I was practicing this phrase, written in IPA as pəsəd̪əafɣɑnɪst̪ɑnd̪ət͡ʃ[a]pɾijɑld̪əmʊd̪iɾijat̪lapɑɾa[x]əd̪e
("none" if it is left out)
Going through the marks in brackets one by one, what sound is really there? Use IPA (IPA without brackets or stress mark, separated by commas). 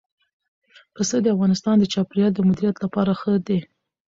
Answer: ɑ, x